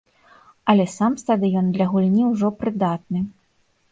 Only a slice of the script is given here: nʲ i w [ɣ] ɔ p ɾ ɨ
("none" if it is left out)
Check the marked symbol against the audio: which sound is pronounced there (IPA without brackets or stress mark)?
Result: ʐ